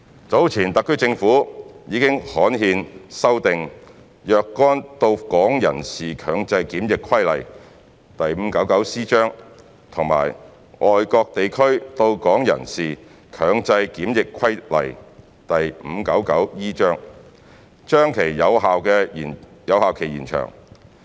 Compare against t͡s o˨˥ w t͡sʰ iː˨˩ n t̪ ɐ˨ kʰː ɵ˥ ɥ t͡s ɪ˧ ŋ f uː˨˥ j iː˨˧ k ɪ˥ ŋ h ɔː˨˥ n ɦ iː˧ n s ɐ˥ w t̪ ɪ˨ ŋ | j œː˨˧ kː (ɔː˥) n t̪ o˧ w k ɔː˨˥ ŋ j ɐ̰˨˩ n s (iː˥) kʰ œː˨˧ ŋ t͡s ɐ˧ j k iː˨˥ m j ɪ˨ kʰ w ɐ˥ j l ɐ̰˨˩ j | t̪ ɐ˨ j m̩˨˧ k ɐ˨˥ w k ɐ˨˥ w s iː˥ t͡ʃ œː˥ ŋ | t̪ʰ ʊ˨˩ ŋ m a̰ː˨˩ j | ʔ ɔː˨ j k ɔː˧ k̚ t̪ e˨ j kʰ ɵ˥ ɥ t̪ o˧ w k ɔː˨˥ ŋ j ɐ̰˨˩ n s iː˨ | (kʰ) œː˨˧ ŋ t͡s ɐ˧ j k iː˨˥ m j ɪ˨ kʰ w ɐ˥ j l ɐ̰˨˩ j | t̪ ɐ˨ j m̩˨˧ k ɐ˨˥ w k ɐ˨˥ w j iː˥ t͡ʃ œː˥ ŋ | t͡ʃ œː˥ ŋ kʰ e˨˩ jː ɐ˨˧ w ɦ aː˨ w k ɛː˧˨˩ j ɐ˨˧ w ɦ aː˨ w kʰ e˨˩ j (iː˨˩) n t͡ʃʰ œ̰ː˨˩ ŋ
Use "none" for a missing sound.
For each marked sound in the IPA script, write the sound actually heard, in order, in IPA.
ɔː˥, iː˨˩, kʰ, iː˨˩

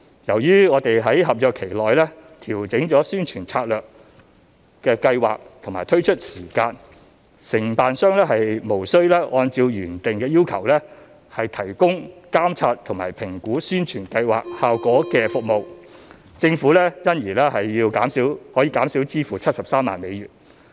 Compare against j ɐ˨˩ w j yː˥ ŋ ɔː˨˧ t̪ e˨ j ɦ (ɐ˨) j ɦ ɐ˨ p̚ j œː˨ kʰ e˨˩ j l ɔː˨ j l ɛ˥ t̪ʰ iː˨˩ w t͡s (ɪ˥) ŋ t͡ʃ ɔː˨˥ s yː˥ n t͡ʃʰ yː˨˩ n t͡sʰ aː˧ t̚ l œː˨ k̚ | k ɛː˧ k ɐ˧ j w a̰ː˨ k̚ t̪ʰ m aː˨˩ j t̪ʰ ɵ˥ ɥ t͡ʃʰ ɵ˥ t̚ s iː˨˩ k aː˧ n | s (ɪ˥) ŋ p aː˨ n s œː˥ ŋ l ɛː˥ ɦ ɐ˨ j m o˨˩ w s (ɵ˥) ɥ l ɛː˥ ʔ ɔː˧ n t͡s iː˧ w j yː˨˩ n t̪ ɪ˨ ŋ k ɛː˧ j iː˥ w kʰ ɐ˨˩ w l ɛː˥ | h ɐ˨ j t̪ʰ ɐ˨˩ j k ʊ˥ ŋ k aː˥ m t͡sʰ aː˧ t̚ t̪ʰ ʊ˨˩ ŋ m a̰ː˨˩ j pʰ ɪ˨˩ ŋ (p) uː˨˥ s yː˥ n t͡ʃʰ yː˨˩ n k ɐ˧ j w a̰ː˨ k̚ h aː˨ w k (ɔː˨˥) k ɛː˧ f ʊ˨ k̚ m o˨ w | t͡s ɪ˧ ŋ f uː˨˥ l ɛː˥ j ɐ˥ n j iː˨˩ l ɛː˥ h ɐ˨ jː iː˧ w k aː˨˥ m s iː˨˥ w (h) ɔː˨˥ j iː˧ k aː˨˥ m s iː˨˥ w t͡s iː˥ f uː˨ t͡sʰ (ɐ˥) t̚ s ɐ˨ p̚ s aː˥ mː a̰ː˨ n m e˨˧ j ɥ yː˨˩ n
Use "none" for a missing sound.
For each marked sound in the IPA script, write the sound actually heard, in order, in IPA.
ɐ˨˥, ɪ˨˥, ɪ˨˩, ɵ˥, k, ɔː˨˥, h, ɐ˥

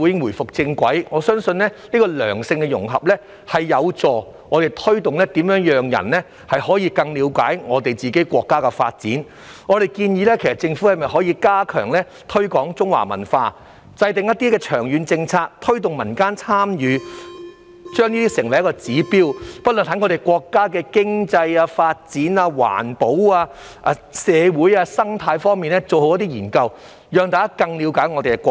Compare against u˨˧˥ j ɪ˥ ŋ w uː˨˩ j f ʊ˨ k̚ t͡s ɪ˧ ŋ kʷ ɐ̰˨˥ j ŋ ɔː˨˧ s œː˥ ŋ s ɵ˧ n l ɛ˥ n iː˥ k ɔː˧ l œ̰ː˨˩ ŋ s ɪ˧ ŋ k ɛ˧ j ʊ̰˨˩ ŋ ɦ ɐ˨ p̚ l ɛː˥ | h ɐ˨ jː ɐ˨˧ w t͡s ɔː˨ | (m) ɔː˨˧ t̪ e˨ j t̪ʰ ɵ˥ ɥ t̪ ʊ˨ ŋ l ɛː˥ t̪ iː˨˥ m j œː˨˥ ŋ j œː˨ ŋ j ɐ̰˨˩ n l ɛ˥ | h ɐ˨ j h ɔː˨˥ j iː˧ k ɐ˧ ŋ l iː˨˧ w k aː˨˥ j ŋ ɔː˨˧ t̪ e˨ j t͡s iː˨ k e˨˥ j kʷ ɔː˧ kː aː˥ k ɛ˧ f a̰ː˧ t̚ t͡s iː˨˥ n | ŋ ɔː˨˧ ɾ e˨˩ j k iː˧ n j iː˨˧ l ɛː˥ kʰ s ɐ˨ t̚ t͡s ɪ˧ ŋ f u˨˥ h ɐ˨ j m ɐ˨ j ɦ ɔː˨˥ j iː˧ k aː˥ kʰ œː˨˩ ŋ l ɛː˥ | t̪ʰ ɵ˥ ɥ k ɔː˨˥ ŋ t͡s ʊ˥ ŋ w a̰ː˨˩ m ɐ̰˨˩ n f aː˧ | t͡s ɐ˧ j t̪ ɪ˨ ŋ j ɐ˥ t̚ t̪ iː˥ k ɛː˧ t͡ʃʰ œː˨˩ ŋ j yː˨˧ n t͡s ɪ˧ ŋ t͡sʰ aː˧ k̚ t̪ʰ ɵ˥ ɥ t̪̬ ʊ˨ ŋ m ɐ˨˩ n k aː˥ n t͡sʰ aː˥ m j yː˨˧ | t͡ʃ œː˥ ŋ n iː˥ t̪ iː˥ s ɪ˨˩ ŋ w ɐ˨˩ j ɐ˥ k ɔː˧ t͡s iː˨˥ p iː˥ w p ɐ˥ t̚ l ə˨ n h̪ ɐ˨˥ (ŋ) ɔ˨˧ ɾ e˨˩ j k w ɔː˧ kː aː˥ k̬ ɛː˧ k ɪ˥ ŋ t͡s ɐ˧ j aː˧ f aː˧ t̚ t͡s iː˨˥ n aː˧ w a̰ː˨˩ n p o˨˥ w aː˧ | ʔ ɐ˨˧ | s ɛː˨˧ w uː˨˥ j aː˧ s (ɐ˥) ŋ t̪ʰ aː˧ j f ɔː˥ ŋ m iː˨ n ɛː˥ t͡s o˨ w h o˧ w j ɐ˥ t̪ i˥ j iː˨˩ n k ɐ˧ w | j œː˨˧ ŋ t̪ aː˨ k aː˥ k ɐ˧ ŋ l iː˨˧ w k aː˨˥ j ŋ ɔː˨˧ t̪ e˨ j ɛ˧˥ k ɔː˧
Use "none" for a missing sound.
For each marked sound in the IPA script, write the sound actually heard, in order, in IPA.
ŋ, ŋ, ɐ˥

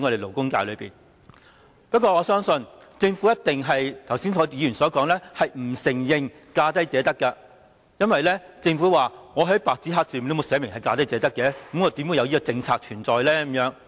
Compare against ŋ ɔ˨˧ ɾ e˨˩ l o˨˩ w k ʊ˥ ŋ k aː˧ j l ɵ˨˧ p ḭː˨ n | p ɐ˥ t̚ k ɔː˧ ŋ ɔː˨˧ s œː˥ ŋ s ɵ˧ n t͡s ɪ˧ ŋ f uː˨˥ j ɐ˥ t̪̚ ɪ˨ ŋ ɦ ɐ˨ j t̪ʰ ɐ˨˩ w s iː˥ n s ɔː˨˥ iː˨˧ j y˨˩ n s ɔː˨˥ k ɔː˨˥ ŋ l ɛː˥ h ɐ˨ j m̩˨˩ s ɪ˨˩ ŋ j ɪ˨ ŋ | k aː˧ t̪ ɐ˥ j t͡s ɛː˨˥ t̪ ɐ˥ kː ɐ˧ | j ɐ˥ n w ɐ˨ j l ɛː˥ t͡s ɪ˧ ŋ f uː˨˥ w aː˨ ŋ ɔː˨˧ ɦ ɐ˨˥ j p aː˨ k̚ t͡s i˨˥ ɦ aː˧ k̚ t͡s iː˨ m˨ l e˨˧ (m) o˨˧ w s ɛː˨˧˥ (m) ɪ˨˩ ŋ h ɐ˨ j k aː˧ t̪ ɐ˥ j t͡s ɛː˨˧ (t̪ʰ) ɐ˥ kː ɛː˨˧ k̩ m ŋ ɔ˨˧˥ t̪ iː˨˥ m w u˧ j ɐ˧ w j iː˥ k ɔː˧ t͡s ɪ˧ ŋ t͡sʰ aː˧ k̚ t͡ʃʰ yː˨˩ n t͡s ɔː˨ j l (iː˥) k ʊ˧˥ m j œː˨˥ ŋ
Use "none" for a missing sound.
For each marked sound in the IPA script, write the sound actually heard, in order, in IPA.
m, m, t̪, ɛː˥

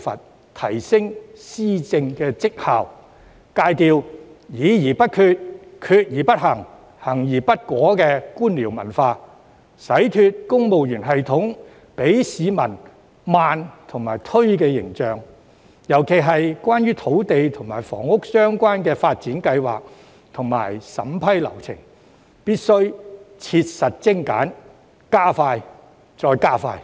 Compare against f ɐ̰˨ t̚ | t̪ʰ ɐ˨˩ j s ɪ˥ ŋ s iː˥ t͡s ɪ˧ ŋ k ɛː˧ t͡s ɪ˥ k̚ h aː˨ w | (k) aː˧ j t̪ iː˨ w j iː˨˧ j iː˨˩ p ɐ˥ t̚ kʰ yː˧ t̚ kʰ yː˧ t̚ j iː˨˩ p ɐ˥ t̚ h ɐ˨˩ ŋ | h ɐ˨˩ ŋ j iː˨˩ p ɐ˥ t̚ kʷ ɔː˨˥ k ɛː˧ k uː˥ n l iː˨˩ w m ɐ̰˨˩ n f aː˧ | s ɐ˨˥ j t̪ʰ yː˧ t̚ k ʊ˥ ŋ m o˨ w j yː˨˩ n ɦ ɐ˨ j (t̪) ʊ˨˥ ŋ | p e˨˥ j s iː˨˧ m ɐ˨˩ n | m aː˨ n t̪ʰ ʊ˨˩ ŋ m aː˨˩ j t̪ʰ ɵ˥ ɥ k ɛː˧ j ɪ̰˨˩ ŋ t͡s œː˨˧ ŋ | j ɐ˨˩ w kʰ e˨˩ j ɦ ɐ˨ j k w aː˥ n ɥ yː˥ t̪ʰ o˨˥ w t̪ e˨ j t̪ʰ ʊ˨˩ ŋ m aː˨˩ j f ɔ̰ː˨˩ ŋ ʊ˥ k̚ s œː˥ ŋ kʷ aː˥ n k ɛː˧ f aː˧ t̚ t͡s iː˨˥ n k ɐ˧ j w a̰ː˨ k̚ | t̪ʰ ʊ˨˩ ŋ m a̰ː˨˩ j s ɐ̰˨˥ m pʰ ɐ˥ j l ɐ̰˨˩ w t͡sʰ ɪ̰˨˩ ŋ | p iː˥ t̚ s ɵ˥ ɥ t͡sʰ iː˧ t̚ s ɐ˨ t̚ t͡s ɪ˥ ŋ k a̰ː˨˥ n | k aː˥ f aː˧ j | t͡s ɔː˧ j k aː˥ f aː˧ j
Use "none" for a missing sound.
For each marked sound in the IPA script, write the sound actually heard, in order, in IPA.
k, t̪ʰ

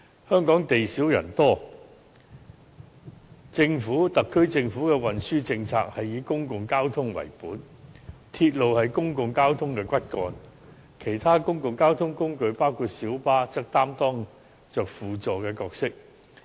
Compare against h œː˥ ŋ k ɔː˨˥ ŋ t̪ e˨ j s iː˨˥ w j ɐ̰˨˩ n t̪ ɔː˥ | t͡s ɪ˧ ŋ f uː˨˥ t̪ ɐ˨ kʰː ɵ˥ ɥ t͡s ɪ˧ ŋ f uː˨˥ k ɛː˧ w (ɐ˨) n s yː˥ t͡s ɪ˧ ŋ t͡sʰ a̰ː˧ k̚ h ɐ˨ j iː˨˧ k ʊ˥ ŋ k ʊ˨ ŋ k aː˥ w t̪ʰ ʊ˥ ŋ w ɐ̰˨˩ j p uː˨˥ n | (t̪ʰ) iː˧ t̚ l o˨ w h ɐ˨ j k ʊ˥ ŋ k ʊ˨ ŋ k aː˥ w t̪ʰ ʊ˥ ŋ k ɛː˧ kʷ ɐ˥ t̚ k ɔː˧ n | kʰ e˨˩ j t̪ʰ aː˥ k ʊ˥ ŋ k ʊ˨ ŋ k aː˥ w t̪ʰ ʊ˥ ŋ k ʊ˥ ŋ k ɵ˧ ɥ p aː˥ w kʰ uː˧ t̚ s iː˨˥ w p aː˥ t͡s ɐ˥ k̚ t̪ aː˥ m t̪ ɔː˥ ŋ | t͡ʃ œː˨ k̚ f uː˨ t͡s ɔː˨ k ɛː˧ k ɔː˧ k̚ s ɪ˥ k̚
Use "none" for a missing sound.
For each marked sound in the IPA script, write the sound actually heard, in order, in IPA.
ɐ˨, t̪ʰ

